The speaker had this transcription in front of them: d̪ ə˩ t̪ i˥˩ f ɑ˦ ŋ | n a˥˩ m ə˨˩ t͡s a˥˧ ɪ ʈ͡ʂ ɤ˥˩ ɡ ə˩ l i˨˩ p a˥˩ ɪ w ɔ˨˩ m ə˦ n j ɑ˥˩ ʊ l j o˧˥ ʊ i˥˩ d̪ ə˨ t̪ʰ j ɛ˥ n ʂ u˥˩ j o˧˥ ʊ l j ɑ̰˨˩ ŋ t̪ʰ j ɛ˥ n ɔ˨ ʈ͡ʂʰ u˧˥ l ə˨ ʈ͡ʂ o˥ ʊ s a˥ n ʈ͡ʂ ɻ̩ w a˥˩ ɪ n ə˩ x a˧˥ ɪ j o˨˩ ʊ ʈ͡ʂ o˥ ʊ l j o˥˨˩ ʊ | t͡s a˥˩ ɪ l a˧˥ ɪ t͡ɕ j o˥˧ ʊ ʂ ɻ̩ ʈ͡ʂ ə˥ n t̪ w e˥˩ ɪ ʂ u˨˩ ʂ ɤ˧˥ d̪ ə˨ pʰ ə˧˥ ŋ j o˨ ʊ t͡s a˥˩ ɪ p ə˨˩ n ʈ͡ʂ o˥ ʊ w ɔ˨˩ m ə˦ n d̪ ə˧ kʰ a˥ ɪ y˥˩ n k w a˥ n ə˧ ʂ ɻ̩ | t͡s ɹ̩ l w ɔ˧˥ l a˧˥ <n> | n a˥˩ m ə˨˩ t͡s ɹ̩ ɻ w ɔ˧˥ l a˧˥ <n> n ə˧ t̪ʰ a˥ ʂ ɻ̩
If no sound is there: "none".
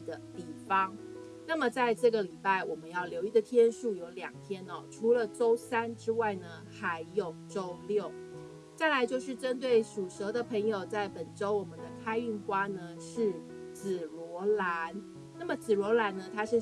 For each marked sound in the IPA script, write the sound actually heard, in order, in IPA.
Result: n, n

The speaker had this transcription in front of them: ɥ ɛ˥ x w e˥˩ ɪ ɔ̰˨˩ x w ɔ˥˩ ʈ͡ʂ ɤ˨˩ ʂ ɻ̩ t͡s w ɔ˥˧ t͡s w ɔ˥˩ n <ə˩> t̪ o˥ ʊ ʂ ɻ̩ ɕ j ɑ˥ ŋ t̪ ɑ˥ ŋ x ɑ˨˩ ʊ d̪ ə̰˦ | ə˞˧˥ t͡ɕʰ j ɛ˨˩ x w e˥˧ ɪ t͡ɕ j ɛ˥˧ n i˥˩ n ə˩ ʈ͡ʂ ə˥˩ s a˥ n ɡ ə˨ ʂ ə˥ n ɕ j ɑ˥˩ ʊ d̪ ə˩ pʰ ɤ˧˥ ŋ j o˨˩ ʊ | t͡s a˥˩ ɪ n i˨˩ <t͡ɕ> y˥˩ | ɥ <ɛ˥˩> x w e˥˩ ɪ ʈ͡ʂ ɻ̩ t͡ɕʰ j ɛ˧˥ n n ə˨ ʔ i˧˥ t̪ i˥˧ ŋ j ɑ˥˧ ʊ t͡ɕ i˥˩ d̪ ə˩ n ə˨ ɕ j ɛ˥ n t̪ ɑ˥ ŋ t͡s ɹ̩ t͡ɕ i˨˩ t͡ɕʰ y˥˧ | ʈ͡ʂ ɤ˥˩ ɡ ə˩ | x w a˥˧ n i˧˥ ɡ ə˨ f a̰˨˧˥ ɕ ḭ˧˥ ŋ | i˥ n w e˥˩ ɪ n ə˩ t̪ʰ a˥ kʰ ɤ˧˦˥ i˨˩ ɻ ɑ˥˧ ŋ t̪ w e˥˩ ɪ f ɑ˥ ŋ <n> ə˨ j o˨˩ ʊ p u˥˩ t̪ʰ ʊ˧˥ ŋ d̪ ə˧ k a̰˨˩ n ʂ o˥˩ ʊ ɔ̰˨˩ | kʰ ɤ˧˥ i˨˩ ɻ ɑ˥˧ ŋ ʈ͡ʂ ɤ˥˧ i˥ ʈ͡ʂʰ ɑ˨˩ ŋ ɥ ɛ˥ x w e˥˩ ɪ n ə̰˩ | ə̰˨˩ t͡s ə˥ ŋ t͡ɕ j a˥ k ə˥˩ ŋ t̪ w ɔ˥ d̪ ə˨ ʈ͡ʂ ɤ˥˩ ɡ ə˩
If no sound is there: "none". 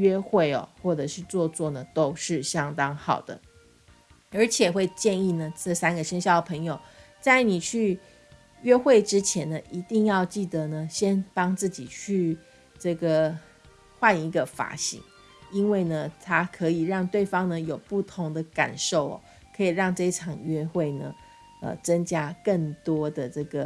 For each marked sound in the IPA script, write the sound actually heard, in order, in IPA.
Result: ə˩, t͡ɕʰ, ɛ˥, n

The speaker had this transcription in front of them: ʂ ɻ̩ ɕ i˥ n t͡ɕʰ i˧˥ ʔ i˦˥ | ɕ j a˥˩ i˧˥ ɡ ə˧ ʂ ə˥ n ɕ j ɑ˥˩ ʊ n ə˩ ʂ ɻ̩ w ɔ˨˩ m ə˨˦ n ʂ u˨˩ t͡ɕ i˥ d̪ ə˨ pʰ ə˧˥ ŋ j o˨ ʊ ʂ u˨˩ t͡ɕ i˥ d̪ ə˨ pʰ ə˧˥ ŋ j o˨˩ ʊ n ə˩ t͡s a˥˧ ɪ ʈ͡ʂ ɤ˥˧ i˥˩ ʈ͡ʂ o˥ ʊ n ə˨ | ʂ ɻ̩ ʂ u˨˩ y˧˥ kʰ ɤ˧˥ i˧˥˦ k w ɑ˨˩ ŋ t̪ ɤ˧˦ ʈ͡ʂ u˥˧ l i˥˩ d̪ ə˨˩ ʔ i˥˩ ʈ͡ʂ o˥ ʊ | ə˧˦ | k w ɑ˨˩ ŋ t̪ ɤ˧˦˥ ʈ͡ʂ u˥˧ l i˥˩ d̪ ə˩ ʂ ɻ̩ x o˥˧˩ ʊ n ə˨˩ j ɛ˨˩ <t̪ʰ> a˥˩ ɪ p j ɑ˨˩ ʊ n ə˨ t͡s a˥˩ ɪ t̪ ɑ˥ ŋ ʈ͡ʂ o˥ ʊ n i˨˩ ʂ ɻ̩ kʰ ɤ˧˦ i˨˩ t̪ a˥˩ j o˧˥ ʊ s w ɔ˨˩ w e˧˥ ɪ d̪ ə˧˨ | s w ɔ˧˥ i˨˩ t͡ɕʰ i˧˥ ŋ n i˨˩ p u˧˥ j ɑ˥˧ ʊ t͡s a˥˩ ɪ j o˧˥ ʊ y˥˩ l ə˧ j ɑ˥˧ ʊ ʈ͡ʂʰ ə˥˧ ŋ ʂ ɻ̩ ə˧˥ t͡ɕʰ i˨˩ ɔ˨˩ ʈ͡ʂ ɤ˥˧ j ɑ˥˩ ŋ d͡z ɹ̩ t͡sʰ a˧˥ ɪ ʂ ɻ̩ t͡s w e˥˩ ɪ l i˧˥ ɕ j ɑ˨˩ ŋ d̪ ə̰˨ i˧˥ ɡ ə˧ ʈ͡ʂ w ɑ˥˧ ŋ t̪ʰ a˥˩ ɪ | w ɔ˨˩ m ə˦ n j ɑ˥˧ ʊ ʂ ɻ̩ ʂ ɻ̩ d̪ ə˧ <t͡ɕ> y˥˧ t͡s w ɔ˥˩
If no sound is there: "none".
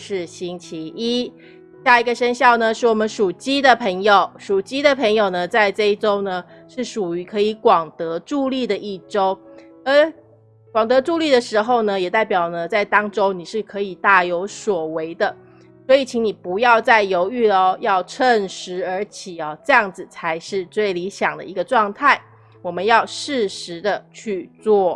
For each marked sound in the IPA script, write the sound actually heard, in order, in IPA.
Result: t̪, t͡ɕʰ

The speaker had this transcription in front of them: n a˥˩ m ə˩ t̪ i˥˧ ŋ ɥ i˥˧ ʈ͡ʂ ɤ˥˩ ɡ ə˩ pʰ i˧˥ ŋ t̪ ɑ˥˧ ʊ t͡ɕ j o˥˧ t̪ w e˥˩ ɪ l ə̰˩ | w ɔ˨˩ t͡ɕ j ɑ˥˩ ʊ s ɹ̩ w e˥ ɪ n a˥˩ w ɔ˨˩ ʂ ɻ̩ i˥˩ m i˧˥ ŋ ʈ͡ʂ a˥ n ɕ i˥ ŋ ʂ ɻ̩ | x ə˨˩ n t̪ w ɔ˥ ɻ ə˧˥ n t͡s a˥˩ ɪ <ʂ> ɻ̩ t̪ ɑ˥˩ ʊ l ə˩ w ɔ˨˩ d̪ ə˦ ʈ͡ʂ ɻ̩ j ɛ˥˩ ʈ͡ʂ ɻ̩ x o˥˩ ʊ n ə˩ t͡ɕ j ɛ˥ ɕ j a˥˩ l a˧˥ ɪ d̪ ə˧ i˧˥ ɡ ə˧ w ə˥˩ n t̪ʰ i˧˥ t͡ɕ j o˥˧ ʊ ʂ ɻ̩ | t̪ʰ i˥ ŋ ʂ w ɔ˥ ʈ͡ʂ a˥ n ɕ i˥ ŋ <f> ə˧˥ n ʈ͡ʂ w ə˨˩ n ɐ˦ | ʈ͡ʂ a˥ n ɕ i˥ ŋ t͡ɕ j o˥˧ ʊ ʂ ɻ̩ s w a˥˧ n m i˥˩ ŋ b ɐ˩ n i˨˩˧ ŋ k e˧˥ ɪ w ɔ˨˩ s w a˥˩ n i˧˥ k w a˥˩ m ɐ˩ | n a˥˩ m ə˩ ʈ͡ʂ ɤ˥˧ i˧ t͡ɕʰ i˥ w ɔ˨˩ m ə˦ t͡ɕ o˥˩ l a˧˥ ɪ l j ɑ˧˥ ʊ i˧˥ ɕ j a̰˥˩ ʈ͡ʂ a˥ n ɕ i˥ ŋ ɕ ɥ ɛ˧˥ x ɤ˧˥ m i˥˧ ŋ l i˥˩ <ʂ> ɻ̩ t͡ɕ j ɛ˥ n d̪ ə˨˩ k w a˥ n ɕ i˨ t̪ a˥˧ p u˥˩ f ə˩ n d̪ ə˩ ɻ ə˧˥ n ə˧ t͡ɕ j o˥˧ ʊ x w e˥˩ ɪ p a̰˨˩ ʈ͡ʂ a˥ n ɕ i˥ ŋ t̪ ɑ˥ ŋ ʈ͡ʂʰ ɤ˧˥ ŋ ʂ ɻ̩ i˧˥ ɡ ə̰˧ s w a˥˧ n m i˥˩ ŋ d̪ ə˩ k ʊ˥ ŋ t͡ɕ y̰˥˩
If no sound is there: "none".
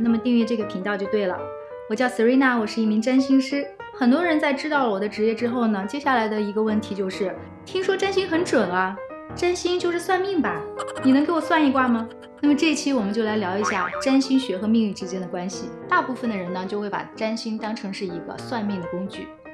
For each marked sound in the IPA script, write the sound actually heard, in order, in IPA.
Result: ʈ͡ʂ, x, ʈ͡ʂ

